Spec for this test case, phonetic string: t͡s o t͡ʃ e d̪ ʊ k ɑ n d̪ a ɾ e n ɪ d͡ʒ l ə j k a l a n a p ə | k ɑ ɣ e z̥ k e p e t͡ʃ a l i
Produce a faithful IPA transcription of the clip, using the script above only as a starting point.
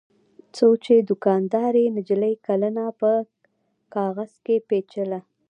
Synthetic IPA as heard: t͡s o t͡ʃ e d̪ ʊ k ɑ n d̪ ɑ ɾ e n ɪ d͡ʒ l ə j k a l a n a p ə | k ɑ ɣ a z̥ k e p e t͡ʃ ə l a